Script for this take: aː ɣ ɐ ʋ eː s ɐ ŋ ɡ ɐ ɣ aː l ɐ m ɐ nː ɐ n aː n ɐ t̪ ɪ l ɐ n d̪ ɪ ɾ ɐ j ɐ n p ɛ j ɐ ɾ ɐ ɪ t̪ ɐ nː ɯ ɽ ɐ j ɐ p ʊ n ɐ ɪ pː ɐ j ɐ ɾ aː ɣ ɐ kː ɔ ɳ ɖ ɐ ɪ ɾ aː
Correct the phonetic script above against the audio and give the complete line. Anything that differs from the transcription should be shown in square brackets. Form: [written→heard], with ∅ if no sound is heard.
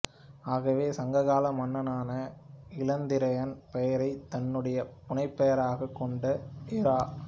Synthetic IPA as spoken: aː ɣ ɐ ʋ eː s ɐ ŋ ɡ ɐ ɣ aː l ɐ m ɐ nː ɐ n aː n ɐ [t̪→∅] ɪ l ɐ n d̪ ɪ ɾ ɐ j ɐ n p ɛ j ɐ ɾ ɐ ɪ t̪ ɐ nː ɯ ɽ ɐ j ɐ p ʊ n ɐ ɪ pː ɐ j ɐ ɾ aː ɣ ɐ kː ɔ ɳ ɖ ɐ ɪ ɾ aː